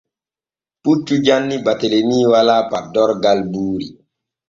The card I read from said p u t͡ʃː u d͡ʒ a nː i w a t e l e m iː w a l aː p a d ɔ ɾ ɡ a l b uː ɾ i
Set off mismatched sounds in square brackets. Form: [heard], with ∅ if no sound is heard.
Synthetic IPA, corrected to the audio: p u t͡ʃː u d͡ʒ a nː i [b] a t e l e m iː w a l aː p a d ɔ ɾ ɡ a l b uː ɾ i